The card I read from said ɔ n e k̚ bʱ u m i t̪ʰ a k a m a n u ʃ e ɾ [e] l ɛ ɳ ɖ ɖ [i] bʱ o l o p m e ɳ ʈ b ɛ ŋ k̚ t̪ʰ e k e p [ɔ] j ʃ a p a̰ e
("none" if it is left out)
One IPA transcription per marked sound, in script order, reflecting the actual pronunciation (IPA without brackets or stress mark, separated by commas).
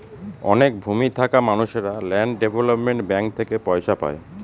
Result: a, e, ɔ